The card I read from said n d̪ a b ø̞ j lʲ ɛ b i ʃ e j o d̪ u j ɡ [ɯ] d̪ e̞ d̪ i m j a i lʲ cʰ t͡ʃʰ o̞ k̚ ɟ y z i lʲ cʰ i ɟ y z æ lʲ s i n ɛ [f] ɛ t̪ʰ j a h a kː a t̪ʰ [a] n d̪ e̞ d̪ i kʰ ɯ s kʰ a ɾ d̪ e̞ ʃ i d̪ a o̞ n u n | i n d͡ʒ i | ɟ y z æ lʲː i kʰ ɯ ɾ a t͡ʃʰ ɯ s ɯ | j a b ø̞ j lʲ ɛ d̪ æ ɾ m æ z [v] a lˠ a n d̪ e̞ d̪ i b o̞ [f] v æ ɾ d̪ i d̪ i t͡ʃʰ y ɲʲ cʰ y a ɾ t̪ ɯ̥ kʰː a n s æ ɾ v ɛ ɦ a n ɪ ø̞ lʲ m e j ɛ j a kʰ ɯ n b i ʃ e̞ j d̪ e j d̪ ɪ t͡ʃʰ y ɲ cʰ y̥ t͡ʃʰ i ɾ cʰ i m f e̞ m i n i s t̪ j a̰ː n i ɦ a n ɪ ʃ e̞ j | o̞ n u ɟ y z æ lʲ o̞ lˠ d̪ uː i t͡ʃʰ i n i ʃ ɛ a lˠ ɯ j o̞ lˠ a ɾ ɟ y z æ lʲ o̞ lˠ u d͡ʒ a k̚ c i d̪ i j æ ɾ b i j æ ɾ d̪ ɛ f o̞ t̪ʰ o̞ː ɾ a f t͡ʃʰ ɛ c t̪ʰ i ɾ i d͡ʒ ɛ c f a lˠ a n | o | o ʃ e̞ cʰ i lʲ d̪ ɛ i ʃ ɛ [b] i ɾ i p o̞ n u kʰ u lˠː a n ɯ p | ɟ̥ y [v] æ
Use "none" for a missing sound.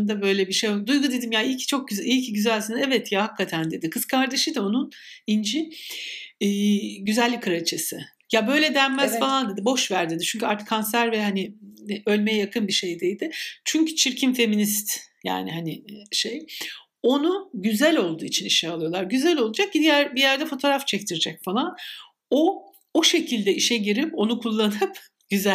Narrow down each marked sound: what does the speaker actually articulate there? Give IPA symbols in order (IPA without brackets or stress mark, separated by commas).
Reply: u, v, æ, f, ʃ, ɟ, z